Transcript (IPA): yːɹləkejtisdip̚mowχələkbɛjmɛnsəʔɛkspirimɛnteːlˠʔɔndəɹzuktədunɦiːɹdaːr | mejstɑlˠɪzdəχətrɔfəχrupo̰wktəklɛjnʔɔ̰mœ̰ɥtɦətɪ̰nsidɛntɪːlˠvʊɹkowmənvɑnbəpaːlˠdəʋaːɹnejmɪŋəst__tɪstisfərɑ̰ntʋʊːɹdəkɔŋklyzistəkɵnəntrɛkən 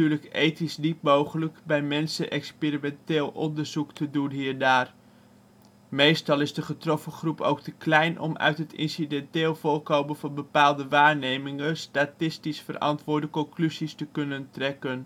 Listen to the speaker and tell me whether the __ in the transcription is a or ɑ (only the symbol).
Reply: a